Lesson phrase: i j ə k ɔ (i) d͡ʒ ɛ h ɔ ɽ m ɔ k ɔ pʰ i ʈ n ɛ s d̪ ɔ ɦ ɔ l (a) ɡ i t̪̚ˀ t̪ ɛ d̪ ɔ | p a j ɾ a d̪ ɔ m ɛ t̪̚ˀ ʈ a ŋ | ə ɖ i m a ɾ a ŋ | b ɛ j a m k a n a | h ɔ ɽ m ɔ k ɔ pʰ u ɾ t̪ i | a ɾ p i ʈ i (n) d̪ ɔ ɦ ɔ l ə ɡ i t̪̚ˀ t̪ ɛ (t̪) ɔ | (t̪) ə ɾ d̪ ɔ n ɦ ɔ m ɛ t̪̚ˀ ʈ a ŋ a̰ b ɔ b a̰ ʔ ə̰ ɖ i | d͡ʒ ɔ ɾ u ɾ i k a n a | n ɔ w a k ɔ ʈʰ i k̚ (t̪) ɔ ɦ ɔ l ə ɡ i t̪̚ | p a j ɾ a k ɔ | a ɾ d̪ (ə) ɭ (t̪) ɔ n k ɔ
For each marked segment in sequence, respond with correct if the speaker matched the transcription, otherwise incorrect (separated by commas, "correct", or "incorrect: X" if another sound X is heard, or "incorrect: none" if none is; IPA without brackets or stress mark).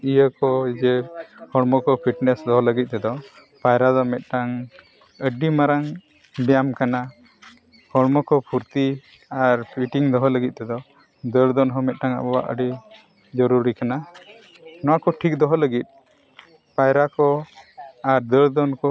correct, incorrect: ə, incorrect: ŋ, incorrect: d̪, incorrect: d̪, incorrect: d̪, correct, incorrect: d̪